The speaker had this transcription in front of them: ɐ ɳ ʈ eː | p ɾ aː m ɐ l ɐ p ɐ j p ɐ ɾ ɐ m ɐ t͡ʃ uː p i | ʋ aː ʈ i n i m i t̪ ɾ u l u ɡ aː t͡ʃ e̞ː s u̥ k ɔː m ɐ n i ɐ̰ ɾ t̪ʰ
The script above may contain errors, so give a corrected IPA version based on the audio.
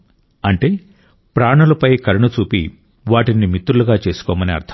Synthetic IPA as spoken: ɐ ɳ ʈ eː | p ɾ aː ɳ ɐ l ɐ p ɐ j k ɐ ɾ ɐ ɳ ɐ t͡ʃ uː p i | ʋ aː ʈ i n i m i t̪ ɾ u l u ɡ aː t͡ʃ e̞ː s u̥ k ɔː m ɐ n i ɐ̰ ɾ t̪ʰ